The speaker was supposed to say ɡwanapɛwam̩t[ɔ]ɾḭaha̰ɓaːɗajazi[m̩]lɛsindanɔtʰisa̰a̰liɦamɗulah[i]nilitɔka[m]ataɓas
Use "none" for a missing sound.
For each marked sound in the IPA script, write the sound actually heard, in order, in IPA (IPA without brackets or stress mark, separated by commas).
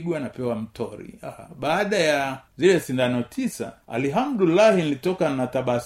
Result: ɔ, none, i, n